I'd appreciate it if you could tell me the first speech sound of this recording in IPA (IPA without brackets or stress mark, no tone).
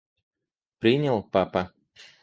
p